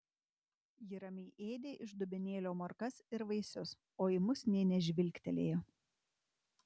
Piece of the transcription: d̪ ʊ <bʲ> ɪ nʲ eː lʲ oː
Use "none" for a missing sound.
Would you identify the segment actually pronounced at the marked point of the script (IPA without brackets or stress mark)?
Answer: bʲ